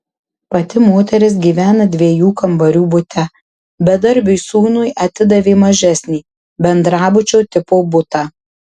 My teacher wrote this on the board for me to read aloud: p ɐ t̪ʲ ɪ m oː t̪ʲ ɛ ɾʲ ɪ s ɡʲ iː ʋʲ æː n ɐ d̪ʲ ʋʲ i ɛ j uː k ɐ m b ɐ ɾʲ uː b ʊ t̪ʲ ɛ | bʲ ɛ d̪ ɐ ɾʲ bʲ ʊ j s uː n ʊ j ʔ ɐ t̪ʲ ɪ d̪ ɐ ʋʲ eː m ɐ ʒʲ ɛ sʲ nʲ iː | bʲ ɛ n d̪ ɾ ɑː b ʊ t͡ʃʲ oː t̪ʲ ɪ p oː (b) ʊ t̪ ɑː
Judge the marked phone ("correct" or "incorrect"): correct